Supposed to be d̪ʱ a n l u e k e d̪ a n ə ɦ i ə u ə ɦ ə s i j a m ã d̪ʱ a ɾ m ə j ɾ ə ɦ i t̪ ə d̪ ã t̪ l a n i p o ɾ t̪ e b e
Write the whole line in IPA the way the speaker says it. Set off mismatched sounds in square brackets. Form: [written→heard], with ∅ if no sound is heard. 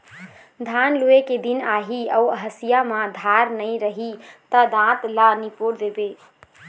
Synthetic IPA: d̪ʱ a n l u e k e d̪ [a→i] n [ə→a] ɦ i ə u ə ɦ ə s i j a m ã d̪ʱ a ɾ [m→n] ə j ɾ ə ɦ i t̪ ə d̪ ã t̪ l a n i p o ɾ [t̪→d̪] e b e

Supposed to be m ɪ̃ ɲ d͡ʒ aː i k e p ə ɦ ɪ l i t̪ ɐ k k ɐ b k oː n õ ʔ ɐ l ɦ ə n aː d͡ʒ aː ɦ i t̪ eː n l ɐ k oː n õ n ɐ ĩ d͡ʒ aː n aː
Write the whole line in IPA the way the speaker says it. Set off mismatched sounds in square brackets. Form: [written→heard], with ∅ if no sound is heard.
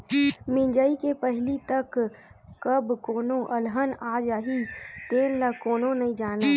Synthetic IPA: m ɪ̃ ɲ d͡ʒ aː i k e p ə ɦ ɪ l i t̪ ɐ k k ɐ b k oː n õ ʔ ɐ l ɦ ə n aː d͡ʒ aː ɦ i t̪ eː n l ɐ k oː n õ n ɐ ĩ d͡ʒ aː n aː

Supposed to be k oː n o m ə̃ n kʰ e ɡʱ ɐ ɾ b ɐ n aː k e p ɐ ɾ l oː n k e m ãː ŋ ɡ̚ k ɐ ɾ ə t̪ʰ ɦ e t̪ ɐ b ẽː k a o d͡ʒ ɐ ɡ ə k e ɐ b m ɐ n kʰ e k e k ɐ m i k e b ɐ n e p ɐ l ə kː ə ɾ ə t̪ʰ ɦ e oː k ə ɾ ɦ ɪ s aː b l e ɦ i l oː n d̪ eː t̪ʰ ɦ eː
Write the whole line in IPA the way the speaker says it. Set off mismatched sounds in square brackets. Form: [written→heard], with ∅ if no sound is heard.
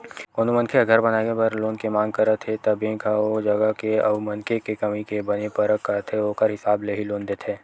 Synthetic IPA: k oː n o m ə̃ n kʰ e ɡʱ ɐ ɾ b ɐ n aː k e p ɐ ɾ l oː n k e m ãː ŋ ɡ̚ k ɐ ɾ ə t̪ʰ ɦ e t̪ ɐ b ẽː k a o d͡ʒ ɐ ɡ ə k e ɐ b m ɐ n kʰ e k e k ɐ m i k e b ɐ n e p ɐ [l→ɾ] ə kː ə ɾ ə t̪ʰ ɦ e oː k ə ɾ ɦ ɪ s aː b l e ɦ i l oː n d̪ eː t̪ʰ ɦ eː

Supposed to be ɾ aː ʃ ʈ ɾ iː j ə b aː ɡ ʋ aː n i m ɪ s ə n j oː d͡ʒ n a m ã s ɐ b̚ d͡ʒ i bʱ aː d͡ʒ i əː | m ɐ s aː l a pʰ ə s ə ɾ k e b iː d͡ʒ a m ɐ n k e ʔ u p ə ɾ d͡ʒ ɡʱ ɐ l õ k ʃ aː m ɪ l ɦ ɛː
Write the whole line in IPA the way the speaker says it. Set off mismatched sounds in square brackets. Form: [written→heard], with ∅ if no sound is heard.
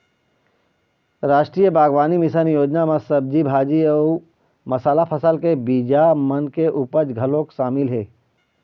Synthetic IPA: ɾ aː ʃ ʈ ɾ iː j ə b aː ɡ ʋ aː n i m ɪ s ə n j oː d͡ʒ n a m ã s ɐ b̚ d͡ʒ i bʱ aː d͡ʒ i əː | m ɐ s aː l a pʰ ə s ə [ɾ→l] k e b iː d͡ʒ a m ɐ n k e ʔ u p ə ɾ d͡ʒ ɡʱ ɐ l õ k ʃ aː m ɪ l ɦ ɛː

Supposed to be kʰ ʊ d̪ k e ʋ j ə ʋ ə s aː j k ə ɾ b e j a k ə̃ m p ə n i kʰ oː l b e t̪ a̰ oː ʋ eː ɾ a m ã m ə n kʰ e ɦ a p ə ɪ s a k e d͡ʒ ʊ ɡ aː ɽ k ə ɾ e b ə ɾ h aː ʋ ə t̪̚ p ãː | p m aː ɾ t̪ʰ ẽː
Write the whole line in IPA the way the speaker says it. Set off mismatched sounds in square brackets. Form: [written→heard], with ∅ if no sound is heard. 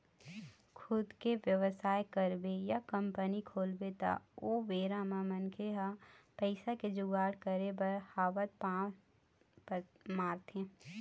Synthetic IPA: kʰ ʊ d̪ k e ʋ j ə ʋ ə s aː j k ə ɾ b e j a k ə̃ m p ə n i kʰ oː l b e t̪ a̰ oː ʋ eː ɾ a m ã m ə n kʰ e ɦ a p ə ɪ s a k e d͡ʒ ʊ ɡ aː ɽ k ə ɾ e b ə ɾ h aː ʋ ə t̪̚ p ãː | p m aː ɾ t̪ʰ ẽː

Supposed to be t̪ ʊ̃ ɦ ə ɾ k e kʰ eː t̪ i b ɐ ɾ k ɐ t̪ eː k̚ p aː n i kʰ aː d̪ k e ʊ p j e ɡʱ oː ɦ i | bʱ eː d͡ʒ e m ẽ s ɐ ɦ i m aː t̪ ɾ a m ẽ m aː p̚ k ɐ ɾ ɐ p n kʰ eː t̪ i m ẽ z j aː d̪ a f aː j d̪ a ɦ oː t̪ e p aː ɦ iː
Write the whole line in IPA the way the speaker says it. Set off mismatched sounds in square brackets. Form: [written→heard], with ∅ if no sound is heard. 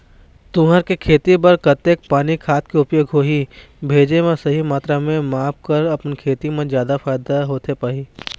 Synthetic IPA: t̪ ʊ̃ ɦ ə ɾ k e kʰ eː t̪ i b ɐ ɾ k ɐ t̪ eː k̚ p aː n i kʰ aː [d̪→t̪] k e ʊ p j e ɡʱ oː ɦ i | bʱ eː d͡ʒ e m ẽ s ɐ ɦ i m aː t̪ ɾ a m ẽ m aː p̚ k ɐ ɾ ɐ p n kʰ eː t̪ i m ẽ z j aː d̪ a f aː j d̪ a ɦ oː t̪ e p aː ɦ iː

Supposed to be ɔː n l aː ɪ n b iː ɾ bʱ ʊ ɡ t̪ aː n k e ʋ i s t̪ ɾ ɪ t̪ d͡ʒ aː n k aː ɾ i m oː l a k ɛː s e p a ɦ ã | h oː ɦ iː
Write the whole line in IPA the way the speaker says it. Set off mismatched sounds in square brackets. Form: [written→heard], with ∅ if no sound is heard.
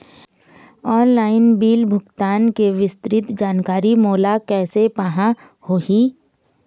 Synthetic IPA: ɔː n l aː ɪ n b iː [ɾ→l] bʱ ʊ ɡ t̪ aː n k e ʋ [i→ɪ] s t̪ ɾ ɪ t̪ d͡ʒ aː n k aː ɾ i m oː l a k ɛː s e p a ɦ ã | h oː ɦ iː

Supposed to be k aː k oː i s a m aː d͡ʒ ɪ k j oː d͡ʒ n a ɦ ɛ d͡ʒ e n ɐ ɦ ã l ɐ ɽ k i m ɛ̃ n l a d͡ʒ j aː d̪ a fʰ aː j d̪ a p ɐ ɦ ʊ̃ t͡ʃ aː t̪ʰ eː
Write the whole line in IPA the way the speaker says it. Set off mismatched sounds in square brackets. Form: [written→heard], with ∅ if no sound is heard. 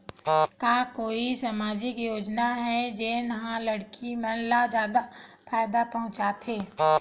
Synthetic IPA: k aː k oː i s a m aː d͡ʒ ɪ k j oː d͡ʒ n a ɦ ɛ d͡ʒ e n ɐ ɦ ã l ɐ ɽ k i m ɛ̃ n l a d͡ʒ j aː d̪ a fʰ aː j d̪ a p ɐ ɦ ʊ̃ t͡ʃ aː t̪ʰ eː

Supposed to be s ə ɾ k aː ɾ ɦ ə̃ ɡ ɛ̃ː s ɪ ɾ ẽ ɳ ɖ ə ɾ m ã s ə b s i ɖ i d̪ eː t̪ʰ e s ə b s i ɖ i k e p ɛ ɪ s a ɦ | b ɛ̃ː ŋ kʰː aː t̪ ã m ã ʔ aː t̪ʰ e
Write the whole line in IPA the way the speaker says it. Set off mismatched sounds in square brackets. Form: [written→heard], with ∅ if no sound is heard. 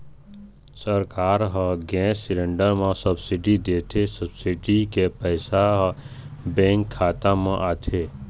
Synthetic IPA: s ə ɾ k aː ɾ ɦ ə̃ ɡ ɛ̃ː s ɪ ɾ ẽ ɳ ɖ ə ɾ m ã s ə b s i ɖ i d̪ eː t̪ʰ e s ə b s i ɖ i k e p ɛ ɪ s a ɦ | b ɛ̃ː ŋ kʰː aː t̪ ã m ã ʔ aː t̪ʰ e

